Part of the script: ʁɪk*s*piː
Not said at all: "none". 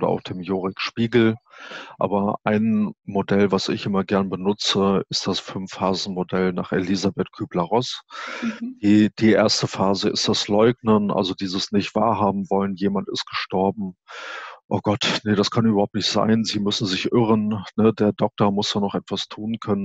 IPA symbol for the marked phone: ʃ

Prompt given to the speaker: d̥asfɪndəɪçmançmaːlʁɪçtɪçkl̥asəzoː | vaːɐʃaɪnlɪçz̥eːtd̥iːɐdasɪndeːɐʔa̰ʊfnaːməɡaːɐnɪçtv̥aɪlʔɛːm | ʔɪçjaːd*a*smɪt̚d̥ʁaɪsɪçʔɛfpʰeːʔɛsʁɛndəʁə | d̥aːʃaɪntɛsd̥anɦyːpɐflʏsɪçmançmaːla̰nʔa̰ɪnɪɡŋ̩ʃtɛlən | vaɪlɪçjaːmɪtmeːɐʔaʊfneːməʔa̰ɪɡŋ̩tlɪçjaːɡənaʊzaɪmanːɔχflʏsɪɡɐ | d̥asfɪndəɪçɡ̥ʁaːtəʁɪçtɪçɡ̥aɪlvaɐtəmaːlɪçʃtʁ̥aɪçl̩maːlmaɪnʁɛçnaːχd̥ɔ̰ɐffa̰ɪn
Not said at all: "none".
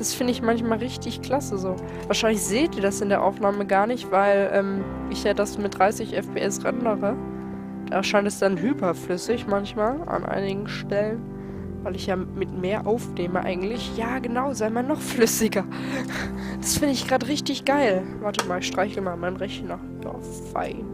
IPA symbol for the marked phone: a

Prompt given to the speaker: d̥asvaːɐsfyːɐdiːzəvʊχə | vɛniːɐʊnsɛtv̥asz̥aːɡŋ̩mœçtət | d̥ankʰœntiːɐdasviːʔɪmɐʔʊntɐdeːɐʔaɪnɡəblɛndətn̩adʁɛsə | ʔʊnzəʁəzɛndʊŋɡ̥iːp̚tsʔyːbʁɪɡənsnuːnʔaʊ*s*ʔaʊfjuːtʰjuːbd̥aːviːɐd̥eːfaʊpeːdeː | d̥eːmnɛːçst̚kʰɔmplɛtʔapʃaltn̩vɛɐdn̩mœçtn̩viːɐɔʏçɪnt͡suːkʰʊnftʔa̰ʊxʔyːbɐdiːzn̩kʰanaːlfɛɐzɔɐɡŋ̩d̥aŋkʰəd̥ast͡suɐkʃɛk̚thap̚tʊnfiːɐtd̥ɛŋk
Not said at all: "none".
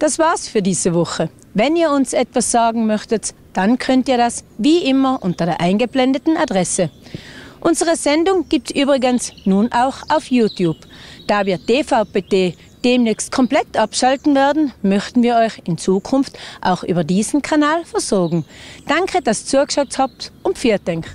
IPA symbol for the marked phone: x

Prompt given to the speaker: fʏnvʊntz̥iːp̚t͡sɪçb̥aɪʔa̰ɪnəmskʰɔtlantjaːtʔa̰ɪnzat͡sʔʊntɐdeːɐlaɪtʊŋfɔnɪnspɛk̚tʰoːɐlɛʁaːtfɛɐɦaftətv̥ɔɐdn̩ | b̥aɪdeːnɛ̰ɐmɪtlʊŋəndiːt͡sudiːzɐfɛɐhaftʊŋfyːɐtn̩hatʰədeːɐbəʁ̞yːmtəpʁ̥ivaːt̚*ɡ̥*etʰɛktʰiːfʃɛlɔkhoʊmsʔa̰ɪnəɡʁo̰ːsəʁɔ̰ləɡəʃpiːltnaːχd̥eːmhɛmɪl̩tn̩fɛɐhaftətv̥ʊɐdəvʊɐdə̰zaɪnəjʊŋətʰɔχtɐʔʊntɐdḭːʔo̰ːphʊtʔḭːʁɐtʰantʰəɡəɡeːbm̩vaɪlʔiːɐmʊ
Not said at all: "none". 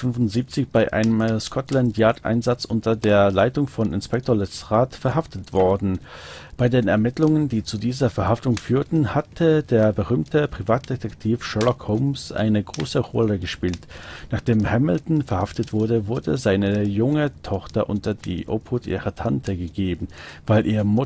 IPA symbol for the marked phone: d̥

